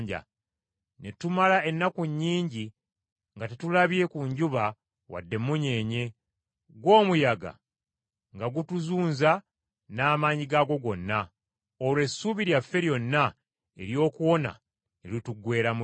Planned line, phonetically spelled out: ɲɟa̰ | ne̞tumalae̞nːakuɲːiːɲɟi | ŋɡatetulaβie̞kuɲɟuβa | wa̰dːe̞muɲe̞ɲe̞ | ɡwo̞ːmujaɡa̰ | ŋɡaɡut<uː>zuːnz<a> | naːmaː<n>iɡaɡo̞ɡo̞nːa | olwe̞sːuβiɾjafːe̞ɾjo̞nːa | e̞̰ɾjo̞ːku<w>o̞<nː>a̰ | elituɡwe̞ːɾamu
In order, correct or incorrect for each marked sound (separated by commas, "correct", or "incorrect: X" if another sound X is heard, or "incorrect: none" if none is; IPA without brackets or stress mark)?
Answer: incorrect: u, correct, incorrect: ɲ, correct, incorrect: n